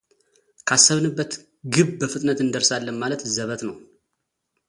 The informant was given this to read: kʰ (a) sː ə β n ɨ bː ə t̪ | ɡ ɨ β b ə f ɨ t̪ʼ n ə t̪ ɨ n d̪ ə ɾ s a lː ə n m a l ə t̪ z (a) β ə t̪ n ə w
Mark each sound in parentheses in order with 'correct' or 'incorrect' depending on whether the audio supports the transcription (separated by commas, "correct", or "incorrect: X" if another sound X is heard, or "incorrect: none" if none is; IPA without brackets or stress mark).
correct, incorrect: ə